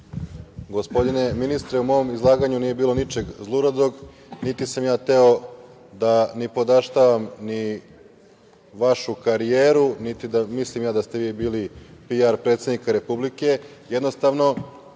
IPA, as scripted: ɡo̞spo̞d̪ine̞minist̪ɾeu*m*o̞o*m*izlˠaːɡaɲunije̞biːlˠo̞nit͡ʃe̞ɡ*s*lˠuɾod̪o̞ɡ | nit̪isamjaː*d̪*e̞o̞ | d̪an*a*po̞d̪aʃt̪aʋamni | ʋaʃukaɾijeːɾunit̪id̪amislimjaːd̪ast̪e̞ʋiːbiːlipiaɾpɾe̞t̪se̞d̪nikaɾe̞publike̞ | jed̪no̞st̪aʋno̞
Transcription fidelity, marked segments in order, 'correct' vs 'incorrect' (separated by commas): correct, correct, incorrect, incorrect, incorrect